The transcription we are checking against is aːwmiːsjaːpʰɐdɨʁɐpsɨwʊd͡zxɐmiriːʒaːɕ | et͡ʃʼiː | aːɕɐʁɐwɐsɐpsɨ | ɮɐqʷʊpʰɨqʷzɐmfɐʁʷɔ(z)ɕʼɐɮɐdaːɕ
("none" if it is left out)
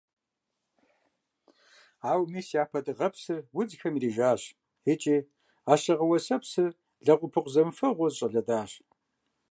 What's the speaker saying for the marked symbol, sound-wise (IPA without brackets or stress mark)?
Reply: z